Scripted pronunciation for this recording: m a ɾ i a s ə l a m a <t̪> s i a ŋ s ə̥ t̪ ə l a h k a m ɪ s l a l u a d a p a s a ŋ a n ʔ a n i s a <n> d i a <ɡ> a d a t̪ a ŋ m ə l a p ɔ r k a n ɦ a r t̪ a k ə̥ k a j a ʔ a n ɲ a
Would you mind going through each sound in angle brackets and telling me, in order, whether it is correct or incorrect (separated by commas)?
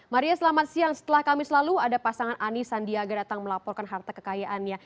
correct, correct, correct